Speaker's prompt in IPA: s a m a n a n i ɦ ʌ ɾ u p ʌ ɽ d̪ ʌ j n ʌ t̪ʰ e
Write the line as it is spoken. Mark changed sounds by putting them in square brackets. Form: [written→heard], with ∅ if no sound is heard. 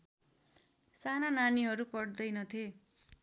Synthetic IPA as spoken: s a [m→n] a n a n i ɦ ʌ ɾ u p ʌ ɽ d̪ ʌ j n ʌ t̪ʰ e